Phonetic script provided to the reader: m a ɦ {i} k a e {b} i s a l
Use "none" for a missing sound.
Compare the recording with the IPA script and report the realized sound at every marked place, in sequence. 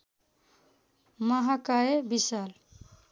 a, b

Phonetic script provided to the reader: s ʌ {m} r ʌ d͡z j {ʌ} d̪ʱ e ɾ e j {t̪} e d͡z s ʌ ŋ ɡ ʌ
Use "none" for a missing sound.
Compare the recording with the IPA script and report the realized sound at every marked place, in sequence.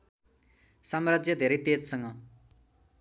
m, ʌ, t̪

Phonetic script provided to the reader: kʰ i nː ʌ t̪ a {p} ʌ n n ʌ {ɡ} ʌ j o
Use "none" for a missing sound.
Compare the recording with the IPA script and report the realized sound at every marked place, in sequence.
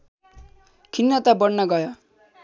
b, ɡ

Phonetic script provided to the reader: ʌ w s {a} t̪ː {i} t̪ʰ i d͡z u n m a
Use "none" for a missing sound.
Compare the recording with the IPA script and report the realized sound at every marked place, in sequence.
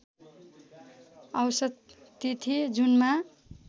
ʌ, i

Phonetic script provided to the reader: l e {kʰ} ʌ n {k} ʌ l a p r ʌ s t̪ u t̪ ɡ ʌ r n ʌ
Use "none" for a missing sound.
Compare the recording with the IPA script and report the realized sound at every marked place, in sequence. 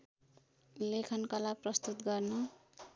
kʰ, k

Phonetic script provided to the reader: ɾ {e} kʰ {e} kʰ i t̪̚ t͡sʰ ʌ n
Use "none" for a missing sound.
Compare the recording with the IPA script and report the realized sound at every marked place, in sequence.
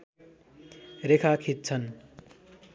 e, a

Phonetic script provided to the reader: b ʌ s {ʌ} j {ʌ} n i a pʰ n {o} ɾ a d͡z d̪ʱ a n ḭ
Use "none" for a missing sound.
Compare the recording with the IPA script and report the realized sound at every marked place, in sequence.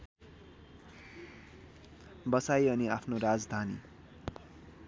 a, ʌ, o

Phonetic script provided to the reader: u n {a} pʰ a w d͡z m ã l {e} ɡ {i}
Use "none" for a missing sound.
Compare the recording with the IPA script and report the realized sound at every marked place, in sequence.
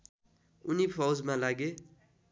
i, a, e

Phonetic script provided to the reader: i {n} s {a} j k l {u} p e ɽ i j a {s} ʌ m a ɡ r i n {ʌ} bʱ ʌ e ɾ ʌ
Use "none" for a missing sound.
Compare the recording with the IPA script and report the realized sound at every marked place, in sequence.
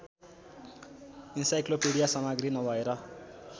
n, a, o, s, ʌ

